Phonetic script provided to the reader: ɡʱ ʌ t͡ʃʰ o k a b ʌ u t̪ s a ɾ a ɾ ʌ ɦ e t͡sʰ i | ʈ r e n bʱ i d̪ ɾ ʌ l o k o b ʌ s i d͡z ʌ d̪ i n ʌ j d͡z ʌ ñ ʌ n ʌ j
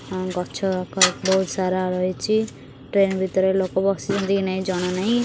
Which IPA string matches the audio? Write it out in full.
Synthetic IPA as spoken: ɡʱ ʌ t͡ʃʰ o k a b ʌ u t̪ s a ɾ a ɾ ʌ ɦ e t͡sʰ i | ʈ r e n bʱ i t̪ ɾ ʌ l o k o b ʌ s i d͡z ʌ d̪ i n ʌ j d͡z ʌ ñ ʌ n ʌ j